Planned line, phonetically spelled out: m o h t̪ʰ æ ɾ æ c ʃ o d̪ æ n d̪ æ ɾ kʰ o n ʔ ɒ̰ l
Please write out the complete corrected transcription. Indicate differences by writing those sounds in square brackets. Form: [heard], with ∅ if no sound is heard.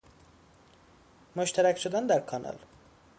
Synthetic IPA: m o [ʃ] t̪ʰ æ ɾ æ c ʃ o d̪ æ n d̪ æ ɾ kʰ [ɒ] n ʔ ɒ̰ l